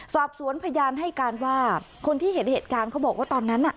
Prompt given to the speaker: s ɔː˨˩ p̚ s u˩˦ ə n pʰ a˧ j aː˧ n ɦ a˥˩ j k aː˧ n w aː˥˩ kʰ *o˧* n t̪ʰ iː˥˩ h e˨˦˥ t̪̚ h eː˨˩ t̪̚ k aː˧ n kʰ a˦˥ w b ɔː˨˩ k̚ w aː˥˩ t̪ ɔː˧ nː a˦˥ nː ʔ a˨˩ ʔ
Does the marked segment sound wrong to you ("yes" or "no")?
no